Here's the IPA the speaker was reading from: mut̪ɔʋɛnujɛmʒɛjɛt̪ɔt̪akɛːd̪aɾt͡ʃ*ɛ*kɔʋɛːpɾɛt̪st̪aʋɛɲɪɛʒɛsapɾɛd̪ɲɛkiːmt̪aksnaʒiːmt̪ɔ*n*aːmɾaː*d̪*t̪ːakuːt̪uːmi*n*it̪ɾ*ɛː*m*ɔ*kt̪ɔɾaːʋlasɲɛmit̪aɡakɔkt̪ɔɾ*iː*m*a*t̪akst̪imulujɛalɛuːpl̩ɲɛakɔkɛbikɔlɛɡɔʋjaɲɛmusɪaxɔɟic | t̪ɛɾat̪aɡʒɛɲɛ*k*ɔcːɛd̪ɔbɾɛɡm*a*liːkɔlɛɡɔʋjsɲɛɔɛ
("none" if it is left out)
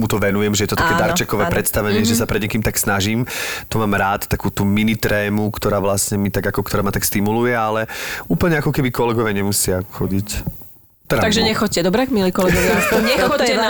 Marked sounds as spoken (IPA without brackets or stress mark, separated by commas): ɛ, m, t̪, n, ɛː, u, aː, a, x, i